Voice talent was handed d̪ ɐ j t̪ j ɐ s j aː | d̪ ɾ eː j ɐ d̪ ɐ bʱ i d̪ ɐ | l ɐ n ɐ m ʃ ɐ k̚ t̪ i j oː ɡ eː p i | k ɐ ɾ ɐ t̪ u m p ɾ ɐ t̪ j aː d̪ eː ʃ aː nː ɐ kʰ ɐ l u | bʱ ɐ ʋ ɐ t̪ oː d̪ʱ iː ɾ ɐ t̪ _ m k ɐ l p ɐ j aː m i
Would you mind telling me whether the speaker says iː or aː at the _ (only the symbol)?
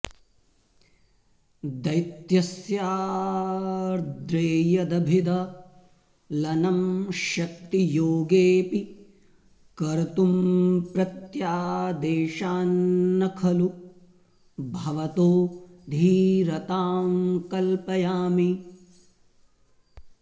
aː